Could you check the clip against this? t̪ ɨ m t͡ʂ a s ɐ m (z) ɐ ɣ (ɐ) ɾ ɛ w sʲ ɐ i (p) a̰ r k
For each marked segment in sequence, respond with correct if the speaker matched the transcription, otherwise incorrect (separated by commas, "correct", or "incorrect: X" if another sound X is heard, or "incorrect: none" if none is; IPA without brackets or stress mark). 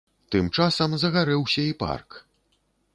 correct, incorrect: a, correct